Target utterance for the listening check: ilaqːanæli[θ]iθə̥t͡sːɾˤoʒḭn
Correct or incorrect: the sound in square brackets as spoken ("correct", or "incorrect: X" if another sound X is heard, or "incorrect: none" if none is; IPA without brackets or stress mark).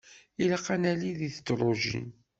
incorrect: ð